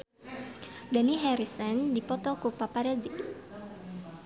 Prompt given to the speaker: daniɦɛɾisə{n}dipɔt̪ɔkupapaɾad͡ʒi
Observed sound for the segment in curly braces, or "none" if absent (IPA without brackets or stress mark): n